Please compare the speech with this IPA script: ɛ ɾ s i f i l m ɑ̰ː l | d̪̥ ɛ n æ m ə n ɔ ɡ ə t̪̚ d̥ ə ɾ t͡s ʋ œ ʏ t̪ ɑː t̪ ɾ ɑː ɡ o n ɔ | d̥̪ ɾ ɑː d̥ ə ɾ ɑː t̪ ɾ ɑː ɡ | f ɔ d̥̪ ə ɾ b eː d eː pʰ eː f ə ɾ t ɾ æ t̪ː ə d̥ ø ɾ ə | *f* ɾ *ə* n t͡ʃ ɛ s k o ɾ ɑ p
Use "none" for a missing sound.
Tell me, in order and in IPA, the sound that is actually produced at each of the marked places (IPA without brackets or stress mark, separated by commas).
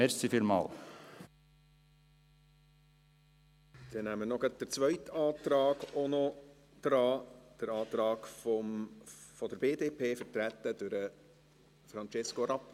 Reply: f, ɑ